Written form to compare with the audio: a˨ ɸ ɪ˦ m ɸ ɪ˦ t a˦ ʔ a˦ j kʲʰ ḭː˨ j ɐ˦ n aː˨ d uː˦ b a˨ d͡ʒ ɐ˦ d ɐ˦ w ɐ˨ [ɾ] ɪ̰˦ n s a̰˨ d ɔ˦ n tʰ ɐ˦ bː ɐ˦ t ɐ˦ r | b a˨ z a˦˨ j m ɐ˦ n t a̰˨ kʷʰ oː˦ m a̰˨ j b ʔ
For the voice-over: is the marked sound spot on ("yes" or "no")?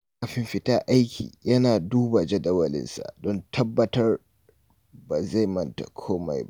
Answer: no